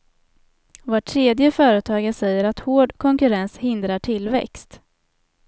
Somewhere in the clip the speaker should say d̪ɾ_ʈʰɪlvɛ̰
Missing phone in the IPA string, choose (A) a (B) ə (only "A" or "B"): A